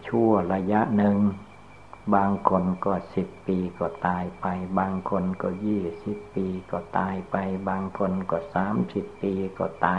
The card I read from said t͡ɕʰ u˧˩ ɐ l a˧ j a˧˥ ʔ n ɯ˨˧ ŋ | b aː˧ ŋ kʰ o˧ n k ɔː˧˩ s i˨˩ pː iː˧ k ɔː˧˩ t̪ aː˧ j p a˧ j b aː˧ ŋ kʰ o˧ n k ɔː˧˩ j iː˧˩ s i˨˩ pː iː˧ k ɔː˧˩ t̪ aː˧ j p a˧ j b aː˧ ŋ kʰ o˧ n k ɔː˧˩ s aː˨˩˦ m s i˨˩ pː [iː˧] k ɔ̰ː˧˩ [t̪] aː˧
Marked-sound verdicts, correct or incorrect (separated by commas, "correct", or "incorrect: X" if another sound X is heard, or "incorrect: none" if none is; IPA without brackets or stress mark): correct, correct